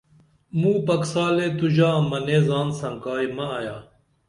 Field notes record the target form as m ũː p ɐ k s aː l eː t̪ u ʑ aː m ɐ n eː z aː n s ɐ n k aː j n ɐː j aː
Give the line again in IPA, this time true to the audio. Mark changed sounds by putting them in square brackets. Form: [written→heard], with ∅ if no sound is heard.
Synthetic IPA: m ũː p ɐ k s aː l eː t̪ u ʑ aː m ɐ n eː z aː n s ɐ [n→ŋ] k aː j [n→m] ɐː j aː